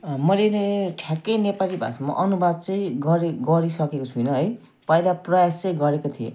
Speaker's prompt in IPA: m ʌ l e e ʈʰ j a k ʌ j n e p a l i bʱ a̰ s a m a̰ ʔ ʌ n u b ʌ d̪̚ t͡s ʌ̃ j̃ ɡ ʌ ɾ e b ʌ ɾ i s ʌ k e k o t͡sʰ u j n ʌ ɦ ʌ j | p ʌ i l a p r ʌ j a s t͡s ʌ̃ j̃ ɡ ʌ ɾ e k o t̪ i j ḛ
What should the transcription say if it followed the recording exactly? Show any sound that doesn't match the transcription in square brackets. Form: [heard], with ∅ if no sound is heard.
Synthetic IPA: m ʌ l e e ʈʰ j a k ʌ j n e p a l i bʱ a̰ s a m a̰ ʔ ʌ n u b [a] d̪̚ t͡s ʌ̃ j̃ ɡ ʌ ɾ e [ɡ] ʌ ɾ i s ʌ k e k o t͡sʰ u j n ʌ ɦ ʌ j | p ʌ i l a p r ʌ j a s t͡s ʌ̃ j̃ ɡ ʌ ɾ e k o [t̪ʰ] i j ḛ